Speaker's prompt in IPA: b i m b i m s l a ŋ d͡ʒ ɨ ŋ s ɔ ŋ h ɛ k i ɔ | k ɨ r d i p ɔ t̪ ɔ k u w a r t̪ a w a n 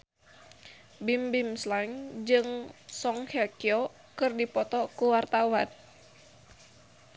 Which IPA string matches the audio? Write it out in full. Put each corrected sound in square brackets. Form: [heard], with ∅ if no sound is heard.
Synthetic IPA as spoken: b i m b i m s l a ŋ d͡ʒ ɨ ŋ s ɔ ŋ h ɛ k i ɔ | k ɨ r d i p ɔ t̪ ɔ k u w a r t̪ a w a n